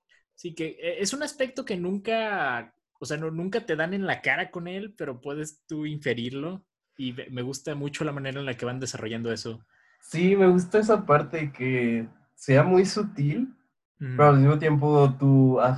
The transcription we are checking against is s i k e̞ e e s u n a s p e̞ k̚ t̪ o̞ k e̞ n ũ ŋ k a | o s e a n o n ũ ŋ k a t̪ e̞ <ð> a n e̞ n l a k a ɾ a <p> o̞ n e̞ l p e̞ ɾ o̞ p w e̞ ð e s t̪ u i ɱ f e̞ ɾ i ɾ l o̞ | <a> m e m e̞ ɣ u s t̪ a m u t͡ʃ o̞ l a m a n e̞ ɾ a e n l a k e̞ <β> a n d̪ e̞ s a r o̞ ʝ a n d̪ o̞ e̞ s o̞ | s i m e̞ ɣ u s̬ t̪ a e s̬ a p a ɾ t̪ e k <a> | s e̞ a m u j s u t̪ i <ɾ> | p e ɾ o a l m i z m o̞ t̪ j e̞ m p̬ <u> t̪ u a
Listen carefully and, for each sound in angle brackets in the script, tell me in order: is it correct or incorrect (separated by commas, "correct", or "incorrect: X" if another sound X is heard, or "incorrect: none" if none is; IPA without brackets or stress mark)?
correct, incorrect: k, incorrect: i, correct, incorrect: e, incorrect: l, incorrect: o